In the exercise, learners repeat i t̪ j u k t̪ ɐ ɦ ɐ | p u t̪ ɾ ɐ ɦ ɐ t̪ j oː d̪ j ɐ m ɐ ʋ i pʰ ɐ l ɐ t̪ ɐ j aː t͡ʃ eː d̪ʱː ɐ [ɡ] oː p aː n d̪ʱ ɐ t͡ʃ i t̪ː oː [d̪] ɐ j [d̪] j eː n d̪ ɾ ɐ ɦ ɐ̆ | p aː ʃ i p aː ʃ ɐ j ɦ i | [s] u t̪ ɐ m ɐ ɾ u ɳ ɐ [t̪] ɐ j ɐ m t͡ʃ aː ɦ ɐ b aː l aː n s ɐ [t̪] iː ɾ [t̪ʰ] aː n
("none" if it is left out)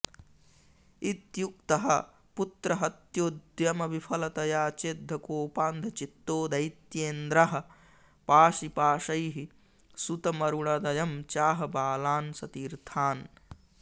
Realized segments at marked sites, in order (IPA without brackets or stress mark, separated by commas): k, d̪, t̪, s, d̪, t̪, t̪ʰ